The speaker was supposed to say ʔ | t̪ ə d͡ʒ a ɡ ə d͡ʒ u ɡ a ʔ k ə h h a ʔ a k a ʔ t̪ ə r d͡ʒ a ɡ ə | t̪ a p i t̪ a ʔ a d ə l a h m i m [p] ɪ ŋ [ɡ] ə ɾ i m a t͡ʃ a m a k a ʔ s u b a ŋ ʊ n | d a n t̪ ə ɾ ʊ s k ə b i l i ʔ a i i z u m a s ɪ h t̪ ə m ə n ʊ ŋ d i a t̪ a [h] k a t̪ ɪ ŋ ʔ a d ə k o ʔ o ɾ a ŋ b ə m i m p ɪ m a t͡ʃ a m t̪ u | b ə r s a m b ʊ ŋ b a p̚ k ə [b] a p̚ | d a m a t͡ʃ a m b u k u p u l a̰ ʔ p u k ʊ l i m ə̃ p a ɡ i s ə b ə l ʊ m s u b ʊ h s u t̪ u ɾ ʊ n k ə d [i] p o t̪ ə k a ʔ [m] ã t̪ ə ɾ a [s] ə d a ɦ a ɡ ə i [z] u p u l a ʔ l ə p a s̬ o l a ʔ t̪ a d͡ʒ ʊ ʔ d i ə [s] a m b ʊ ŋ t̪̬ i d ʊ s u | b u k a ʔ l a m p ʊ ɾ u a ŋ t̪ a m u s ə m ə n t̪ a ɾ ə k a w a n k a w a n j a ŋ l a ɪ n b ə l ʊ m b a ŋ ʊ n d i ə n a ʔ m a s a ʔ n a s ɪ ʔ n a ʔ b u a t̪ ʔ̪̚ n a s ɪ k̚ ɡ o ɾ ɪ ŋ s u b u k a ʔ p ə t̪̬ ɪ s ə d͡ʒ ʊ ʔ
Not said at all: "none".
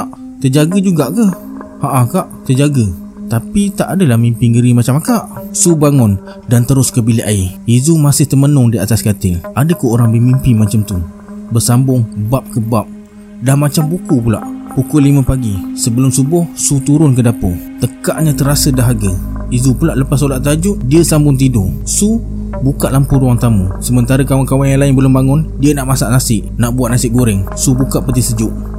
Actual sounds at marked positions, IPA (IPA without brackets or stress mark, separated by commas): p, ɡ, s, b, a, ɲ, s, z, s